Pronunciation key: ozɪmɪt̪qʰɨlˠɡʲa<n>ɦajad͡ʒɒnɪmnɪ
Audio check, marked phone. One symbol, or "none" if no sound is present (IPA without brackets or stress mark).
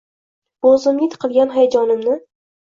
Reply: n